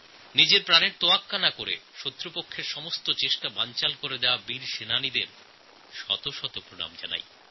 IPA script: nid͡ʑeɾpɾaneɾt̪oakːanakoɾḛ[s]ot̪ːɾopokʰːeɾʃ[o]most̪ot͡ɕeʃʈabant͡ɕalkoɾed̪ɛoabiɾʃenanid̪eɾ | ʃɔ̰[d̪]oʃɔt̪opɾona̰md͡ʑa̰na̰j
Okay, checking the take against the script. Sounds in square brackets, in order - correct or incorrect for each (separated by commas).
incorrect, incorrect, incorrect